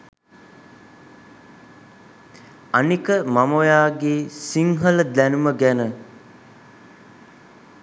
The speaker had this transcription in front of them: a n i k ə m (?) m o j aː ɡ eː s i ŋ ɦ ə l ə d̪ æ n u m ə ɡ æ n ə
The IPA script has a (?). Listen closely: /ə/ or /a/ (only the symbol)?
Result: a